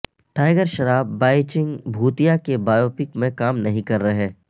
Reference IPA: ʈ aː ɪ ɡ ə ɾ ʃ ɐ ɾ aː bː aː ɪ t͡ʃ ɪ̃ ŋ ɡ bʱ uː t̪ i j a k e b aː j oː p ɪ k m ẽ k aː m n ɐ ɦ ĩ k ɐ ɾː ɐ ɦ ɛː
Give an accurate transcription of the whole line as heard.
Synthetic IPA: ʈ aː ɪ ɡ ə ɾ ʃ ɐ ɾ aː bː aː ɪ t͡ʃ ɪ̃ ŋ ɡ bʱ uː t̪ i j a k e b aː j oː p ɪ k m ẽ k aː m n ɐ ɦ ĩ k ɐ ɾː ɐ ɦ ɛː